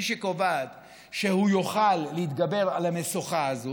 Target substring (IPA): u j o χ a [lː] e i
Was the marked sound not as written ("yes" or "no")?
no